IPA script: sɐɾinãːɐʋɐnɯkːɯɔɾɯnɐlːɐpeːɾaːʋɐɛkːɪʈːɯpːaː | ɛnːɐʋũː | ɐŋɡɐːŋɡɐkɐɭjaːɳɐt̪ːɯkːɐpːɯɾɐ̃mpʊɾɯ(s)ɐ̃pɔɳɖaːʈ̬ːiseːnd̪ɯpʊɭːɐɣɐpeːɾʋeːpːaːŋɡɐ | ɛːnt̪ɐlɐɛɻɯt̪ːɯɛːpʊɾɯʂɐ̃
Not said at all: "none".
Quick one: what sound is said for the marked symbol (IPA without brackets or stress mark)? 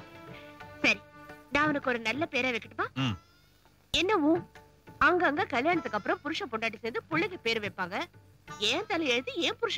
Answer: ʂ